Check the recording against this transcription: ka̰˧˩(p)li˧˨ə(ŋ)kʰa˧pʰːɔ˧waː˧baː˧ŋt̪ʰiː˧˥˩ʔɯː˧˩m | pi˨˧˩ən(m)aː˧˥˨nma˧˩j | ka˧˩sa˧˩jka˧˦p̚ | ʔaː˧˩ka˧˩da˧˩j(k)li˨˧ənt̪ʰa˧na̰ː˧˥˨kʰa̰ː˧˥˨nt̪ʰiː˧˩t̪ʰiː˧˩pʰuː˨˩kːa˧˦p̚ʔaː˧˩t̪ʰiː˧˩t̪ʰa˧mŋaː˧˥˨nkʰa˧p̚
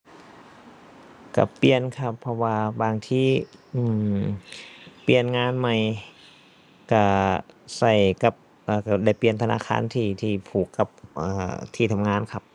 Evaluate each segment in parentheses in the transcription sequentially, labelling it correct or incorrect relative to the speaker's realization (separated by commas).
correct, incorrect, incorrect, incorrect